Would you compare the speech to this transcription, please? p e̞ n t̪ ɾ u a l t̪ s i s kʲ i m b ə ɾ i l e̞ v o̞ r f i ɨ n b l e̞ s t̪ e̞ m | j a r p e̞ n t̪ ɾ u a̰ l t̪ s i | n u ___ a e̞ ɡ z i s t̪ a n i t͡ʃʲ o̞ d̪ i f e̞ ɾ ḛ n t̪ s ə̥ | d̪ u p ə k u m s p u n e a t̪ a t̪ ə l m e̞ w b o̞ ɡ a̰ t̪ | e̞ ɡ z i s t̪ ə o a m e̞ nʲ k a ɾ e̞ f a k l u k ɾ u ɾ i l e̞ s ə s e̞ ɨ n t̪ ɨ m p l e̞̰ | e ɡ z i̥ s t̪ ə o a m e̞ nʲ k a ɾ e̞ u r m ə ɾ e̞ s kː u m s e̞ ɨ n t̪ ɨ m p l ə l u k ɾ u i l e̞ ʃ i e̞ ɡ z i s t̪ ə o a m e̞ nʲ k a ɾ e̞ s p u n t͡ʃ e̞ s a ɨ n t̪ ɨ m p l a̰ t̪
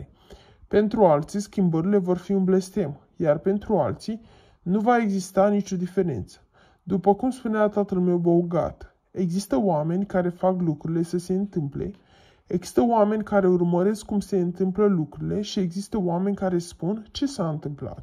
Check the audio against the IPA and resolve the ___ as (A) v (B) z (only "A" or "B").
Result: A